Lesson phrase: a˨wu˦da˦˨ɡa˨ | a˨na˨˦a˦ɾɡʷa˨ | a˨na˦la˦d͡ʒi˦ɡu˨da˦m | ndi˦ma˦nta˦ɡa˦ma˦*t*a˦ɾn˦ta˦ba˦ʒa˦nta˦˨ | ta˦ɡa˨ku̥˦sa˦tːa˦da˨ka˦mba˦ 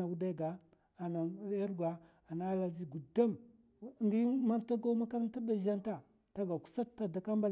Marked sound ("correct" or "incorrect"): incorrect